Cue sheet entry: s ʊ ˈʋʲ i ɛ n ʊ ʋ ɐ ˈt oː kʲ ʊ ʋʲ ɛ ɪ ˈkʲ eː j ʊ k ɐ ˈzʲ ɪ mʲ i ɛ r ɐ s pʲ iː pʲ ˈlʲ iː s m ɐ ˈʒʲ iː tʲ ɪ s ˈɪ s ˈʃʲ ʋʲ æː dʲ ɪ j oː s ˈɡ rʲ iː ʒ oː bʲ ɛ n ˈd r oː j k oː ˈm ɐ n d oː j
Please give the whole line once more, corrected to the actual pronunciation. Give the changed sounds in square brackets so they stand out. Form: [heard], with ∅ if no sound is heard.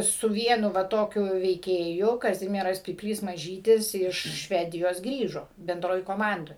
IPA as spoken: s ʊ ˈʋʲ i ɛ n ʊ ʋ ɐ ˈt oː kʲ ʊ ʋʲ ɛ ɪ ˈkʲ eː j ʊ k ɐ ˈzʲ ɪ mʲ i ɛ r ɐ s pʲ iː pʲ ˈlʲ iː s m ɐ ˈʒʲ iː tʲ ɪ s ˈɪ [ʃ] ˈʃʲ ʋʲ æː dʲ ɪ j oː s ˈɡ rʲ iː ʒ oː bʲ ɛ n ˈd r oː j k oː ˈm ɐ n d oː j